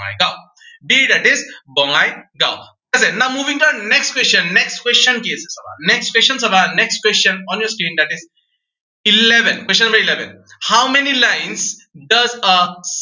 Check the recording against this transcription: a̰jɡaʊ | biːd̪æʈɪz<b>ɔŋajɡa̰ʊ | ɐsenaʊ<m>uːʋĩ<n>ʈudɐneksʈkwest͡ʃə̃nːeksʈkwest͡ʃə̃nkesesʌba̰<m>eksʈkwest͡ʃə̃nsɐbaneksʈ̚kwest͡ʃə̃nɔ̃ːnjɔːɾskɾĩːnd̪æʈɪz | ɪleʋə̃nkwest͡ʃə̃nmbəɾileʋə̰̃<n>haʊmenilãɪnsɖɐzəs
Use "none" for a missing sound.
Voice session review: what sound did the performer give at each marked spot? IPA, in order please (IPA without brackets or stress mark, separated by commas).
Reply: b, m, ŋ, n, n